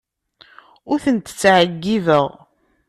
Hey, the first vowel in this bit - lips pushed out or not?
yes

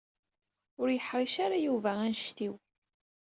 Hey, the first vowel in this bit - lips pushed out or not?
yes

